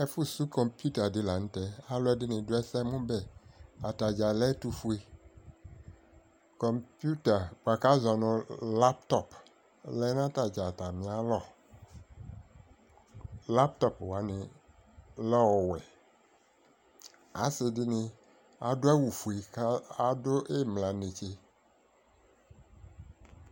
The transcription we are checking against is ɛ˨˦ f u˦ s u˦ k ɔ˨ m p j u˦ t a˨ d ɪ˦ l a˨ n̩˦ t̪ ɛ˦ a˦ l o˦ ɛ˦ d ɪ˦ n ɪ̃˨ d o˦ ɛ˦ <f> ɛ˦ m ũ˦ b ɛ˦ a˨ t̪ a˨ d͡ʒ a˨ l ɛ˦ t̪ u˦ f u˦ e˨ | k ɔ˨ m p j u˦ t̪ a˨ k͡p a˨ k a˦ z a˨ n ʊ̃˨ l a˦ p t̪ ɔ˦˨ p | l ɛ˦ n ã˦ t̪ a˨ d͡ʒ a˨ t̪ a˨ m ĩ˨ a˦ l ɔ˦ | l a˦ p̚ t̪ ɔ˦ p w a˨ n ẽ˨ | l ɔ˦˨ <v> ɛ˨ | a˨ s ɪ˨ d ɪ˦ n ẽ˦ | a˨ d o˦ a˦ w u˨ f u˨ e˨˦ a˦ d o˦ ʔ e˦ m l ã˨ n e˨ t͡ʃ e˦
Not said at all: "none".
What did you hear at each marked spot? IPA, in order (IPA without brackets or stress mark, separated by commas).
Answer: s, w